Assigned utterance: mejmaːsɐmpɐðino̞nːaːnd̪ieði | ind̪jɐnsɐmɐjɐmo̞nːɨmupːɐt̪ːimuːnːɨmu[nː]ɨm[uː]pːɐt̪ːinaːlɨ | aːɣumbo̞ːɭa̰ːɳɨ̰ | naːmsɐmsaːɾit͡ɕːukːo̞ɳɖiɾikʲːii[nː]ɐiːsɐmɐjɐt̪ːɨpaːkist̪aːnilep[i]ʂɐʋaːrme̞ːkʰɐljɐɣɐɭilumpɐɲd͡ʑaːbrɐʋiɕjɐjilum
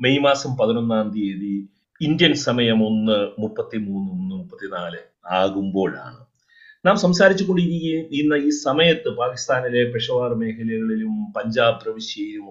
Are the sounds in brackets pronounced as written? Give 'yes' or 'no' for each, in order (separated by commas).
yes, no, yes, no